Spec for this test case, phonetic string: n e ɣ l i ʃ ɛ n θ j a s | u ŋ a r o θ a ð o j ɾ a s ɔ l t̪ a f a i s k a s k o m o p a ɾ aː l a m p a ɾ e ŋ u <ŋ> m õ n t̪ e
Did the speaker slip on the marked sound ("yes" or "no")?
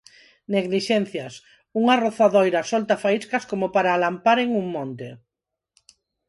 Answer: no